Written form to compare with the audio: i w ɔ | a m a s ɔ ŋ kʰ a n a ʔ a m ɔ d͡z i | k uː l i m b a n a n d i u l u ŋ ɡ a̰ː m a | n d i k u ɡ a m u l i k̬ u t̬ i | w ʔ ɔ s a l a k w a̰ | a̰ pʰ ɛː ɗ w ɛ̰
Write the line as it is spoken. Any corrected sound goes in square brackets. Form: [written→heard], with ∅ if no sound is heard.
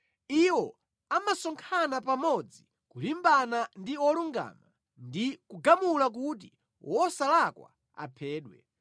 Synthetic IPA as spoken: i w ɔ | a m a s ɔ ŋ kʰ a n a [ʔ→p] a m ɔ d͡z i | k [uː→u] l i m b a n a n d i [u→ɔ] l u ŋ ɡ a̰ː m a | n d i k u ɡ a m u l [i→a] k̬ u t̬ i | w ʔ ɔ s a l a k w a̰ | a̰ pʰ ɛː ɗ w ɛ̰